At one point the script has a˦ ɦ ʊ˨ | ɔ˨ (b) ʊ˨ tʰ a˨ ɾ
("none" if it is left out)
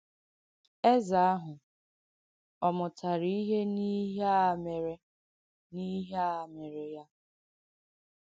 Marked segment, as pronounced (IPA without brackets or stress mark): m